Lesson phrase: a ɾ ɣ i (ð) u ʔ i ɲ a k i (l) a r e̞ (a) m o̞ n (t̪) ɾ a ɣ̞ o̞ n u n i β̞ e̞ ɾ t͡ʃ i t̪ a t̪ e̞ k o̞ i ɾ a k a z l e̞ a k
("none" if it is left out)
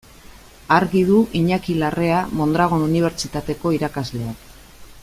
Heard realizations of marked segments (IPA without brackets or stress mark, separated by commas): ð, l, a, d̪